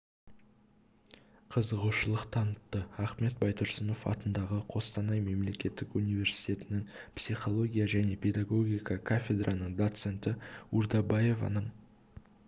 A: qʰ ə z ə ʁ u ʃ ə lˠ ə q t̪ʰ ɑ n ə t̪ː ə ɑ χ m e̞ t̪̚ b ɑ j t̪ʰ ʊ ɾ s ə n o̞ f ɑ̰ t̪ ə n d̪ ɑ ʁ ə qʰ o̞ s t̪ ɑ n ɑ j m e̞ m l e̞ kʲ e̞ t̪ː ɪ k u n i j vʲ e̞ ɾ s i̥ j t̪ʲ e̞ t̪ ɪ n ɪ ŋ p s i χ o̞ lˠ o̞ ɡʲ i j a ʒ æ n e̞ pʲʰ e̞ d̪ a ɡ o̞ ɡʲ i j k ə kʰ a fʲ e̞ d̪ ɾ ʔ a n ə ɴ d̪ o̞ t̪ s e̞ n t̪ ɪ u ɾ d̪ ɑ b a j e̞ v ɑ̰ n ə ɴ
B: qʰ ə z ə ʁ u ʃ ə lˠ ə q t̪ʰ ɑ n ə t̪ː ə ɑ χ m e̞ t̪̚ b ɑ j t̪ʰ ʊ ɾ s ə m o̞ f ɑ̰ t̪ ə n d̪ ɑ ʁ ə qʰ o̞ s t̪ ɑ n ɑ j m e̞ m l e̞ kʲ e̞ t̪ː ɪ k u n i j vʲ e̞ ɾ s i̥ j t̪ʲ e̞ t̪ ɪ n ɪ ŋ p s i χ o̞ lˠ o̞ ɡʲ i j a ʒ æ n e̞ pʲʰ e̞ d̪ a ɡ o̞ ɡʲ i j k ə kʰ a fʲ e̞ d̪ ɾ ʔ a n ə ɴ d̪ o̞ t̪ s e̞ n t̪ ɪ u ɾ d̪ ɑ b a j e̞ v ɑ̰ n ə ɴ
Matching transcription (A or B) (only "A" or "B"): A